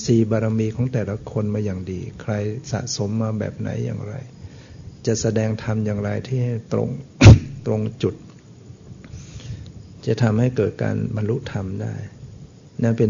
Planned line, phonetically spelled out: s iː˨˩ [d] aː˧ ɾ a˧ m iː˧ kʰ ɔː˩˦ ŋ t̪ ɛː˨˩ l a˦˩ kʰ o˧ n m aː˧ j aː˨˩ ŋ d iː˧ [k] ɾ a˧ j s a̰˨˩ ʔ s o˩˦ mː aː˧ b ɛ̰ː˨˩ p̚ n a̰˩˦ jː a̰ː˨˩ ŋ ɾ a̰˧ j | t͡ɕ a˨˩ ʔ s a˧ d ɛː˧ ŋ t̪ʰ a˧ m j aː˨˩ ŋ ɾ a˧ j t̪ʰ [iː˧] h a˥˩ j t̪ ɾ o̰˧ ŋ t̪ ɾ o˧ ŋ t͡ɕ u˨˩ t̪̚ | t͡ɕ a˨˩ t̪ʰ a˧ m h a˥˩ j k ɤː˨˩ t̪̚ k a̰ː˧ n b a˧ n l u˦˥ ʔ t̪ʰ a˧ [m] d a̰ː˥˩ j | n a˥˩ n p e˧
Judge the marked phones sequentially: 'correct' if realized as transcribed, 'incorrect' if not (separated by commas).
incorrect, incorrect, incorrect, correct